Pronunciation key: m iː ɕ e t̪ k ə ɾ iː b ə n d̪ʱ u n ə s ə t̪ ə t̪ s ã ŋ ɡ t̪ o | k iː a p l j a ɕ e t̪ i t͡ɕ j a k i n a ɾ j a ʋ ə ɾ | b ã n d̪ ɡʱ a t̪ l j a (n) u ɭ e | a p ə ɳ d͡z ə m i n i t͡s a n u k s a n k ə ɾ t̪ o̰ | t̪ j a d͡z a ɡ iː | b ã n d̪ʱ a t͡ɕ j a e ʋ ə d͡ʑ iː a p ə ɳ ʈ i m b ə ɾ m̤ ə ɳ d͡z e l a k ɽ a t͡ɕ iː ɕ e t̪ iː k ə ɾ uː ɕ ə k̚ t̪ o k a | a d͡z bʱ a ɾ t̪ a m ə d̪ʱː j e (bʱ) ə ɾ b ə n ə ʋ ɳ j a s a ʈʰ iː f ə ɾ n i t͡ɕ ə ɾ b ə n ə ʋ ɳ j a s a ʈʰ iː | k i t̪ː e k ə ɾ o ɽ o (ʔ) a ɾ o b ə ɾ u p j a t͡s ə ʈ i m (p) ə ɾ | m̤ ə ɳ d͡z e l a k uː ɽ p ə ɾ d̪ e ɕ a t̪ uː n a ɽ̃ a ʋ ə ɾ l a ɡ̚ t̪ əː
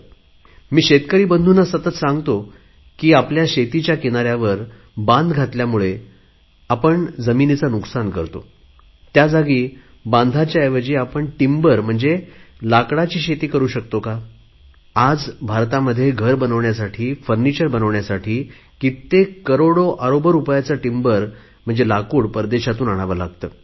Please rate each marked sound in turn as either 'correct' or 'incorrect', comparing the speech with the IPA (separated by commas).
incorrect, incorrect, correct, incorrect